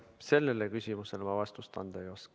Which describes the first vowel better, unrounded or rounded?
unrounded